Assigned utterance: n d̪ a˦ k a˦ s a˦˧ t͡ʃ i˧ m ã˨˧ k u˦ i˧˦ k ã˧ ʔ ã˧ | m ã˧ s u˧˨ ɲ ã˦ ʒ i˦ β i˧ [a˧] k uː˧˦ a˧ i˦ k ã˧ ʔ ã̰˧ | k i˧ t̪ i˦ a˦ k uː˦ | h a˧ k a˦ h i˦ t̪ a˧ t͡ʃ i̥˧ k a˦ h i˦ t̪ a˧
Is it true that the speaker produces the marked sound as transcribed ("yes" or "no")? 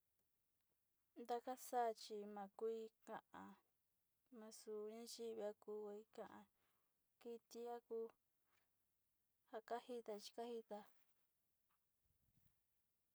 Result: yes